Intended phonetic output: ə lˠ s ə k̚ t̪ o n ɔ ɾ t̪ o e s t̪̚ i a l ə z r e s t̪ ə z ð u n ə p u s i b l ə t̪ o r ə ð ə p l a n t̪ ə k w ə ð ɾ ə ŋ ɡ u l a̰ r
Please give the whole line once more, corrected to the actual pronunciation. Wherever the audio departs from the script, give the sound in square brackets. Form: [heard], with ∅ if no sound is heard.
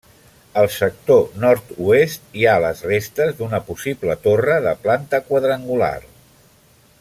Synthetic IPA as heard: ə lˠ s ə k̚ t̪ o n ɔ ɾ t̪ [u] e s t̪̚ i a l ə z r e s t̪ ə z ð u n ə p u s i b l ə t̪ o r ə ð ə p l a n t̪ ə k w ə ð ɾ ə ŋ ɡ u l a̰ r